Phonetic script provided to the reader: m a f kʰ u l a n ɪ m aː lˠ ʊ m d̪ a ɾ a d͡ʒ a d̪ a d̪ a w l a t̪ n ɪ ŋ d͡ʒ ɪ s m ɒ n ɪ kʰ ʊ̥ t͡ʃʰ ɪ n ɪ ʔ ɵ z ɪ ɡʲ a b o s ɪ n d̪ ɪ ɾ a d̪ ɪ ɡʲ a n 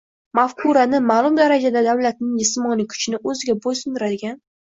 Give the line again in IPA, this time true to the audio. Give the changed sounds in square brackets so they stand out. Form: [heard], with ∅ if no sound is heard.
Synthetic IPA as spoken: m a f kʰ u [ɾ] a n ɪ m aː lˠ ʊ m d̪ a ɾ a d͡ʒ a d̪ a d̪ a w l a t̪ n ɪ ŋ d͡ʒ ɪ s m ɒ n ɪ kʰ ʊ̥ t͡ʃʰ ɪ n ɪ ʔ ɵ z ɪ ɡʲ a b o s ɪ n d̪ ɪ ɾ a d̪ ɪ ɡʲ a n